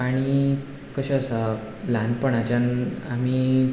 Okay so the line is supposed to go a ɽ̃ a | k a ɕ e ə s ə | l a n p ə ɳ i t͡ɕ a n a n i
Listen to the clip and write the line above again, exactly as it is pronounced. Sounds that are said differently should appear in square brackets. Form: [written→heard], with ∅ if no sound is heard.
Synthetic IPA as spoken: a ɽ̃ [a→i] | k [a→ə] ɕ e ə s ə | l a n p ə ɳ [i→a] t͡ɕ a n a [n→m] i